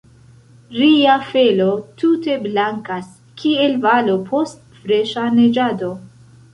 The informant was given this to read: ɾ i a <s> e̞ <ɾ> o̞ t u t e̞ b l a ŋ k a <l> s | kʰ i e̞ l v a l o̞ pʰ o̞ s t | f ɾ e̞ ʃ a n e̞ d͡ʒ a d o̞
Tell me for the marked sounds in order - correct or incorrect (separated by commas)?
incorrect, incorrect, incorrect